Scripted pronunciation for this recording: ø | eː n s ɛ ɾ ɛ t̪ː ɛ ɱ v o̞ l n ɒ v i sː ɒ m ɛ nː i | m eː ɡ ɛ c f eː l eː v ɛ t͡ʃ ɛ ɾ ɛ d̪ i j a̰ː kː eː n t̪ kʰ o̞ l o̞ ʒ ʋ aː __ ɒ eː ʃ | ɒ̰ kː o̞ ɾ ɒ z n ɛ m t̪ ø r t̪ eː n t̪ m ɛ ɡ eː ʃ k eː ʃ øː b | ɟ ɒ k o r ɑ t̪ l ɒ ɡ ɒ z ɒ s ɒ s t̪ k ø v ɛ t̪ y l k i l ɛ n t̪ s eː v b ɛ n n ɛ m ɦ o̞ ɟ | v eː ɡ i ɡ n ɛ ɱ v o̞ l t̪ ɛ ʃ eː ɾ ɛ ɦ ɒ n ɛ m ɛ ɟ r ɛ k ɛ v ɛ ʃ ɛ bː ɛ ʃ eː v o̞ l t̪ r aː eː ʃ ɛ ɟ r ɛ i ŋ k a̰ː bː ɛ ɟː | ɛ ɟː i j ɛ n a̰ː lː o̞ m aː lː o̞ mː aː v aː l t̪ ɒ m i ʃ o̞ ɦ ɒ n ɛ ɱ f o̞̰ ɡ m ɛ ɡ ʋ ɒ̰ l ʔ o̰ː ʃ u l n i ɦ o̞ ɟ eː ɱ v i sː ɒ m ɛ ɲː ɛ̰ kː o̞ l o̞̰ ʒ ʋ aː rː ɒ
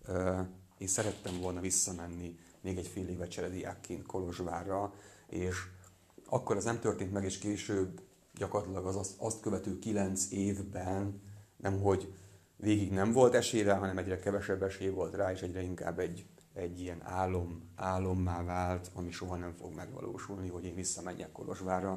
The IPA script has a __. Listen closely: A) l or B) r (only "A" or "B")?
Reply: B